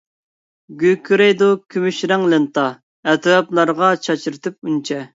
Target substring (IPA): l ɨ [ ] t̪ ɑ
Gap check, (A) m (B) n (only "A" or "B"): B